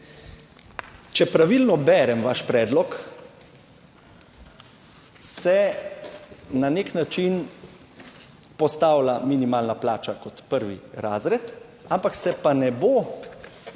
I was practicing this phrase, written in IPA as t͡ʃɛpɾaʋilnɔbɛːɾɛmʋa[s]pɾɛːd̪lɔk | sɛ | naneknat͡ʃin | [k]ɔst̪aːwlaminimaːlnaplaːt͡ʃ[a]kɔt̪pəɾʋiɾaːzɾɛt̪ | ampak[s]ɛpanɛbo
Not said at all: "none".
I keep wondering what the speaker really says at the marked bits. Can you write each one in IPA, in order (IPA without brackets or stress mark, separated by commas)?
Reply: ʃ, p, a, s